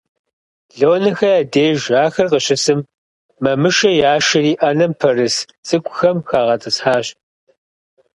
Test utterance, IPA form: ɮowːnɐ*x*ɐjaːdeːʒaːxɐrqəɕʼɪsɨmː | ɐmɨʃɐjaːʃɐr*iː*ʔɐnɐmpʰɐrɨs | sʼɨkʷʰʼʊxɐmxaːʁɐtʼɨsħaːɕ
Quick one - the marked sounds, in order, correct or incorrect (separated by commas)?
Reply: correct, correct